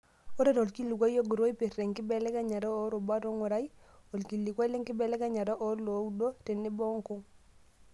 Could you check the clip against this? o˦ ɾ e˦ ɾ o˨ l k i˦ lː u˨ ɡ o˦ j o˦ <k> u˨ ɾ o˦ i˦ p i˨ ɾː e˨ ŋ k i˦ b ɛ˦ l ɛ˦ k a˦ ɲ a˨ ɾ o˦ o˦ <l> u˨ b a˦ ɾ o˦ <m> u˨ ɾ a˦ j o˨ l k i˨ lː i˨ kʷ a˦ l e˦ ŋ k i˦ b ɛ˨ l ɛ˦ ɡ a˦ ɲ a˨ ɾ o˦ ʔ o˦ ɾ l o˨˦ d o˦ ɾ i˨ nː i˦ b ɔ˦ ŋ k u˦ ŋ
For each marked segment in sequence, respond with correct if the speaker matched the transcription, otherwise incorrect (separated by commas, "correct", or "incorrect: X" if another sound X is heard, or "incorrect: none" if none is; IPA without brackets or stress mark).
incorrect: ɡ, incorrect: ɾ, incorrect: ŋ